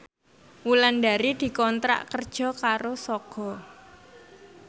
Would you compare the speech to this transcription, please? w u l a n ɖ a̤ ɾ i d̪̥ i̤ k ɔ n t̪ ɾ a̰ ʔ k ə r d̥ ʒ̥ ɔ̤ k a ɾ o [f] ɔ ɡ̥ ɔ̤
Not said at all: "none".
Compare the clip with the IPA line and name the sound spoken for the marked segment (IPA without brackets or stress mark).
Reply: s